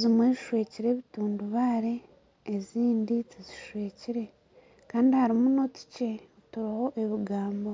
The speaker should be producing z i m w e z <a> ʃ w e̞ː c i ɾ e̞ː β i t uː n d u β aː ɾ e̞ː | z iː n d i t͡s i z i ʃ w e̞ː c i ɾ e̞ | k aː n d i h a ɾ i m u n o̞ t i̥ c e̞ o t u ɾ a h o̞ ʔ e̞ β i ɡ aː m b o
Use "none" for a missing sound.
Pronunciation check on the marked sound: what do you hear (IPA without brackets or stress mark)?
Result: i